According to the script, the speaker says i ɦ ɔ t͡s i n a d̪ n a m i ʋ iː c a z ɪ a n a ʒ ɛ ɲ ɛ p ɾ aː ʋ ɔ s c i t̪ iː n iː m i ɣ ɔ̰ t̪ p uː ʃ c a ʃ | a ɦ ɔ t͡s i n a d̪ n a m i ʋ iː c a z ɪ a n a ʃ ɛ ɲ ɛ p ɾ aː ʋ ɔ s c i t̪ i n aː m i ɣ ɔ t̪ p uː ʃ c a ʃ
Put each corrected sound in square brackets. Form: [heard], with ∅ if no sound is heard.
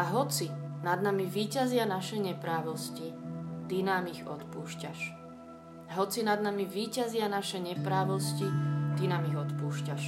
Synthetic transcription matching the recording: [a] ɦ ɔ t͡s i n a d̪ n a m i ʋ iː c a z ɪ a n a [ʃ] ɛ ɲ ɛ p ɾ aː ʋ ɔ s c i t̪ [i] n [aː] m i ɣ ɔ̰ t̪ p uː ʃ c a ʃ | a ɦ ɔ t͡s i n a d̪ n a m i ʋ iː c a z ɪ a n a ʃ ɛ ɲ ɛ p ɾ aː ʋ ɔ s c i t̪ i n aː m i ɣ ɔ t̪ p uː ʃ c a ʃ